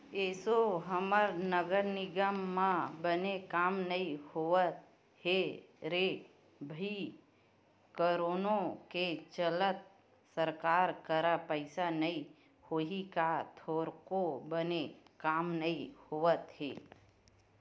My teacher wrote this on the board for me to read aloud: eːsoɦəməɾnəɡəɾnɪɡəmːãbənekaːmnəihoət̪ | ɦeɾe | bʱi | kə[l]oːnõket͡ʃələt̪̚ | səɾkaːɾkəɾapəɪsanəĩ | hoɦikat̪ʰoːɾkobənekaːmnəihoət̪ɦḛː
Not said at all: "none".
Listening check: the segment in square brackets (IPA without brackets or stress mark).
ɾ